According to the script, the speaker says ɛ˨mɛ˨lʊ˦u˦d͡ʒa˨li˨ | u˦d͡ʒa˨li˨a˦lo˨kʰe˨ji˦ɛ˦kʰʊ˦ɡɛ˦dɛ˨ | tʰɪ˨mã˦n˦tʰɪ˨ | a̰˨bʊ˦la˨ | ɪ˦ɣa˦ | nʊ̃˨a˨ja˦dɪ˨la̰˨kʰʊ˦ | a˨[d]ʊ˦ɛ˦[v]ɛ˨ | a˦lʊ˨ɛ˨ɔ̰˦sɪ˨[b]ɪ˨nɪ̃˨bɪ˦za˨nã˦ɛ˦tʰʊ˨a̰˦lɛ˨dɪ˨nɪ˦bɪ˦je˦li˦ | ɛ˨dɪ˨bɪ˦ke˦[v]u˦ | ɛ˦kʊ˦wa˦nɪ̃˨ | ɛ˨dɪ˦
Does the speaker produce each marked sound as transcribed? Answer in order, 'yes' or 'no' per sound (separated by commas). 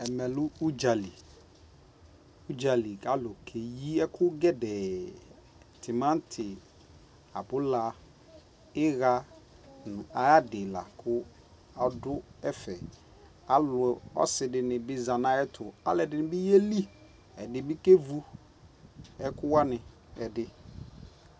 yes, no, no, yes